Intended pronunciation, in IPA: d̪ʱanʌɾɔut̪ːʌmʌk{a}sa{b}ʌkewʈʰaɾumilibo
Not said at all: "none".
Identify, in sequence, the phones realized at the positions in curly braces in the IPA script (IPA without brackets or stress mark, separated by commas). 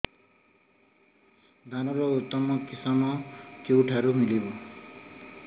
i, m